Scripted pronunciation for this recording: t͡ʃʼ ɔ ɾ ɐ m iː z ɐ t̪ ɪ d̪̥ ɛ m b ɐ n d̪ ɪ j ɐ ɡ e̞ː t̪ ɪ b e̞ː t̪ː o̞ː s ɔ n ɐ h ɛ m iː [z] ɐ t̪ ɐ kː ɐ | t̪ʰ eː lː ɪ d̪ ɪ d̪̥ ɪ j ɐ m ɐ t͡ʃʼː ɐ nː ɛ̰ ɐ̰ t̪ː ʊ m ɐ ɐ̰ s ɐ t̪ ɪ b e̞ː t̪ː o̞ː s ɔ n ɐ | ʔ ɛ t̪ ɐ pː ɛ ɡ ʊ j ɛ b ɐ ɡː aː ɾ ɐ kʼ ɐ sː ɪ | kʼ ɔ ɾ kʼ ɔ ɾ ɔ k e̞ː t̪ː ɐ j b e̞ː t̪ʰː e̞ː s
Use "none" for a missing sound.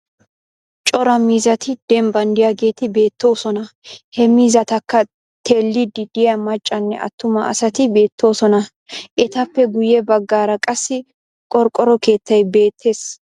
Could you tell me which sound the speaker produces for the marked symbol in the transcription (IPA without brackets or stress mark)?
z